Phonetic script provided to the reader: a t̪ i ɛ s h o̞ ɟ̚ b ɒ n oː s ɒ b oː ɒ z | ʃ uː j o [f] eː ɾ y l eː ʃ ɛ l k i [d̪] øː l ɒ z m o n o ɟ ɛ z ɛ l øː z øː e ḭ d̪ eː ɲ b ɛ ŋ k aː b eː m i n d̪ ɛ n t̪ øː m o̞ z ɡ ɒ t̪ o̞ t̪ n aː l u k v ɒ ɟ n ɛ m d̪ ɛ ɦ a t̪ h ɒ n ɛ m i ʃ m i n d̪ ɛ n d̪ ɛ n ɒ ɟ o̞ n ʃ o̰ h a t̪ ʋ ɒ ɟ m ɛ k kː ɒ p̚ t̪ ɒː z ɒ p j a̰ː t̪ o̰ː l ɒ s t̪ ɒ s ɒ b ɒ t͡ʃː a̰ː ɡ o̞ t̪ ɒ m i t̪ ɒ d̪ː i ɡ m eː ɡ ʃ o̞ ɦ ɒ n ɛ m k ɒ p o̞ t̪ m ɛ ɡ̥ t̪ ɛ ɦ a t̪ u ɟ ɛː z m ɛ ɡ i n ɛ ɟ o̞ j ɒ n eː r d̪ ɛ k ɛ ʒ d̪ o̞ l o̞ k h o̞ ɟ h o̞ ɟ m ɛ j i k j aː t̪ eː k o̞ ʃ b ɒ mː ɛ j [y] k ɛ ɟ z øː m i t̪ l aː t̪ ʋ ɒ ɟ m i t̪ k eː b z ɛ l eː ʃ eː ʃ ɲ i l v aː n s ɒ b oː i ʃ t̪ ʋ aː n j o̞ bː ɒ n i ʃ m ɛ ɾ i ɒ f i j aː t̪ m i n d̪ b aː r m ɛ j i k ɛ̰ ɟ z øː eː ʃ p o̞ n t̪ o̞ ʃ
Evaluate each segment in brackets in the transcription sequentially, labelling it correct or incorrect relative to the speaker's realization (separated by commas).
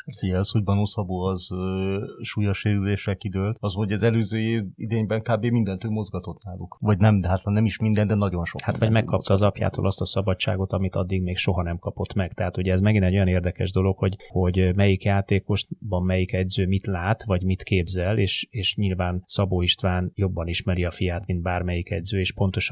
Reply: incorrect, correct, incorrect